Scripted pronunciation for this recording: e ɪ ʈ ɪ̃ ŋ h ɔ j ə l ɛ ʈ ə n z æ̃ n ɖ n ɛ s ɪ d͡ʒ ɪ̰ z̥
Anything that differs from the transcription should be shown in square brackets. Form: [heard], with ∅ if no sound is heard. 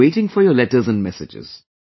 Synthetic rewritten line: e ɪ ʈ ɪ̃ ŋ [f] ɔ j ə l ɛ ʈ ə [∅] z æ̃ n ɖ [m] ɛ s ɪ d͡ʒ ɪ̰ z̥